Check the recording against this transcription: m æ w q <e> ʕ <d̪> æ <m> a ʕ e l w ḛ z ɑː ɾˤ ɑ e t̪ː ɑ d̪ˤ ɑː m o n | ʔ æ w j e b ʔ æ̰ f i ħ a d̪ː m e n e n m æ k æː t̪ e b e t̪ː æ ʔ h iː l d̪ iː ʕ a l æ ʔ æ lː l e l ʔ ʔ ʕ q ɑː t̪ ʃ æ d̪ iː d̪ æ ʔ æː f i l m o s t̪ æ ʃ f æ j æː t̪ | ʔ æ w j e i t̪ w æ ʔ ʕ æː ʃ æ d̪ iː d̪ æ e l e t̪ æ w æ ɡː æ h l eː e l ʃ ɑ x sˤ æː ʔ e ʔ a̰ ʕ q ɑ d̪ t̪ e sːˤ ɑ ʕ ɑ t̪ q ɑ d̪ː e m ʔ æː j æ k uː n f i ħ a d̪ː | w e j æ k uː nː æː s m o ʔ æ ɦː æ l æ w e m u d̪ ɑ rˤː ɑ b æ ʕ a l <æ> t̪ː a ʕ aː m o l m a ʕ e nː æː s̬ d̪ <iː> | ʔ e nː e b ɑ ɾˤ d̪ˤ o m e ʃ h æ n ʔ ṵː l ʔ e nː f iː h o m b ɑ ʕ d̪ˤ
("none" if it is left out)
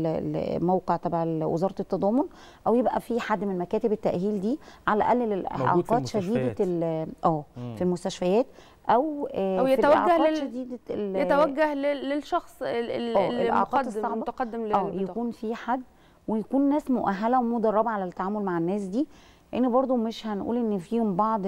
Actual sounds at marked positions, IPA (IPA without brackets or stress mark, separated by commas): e, t̪, b, æ, iː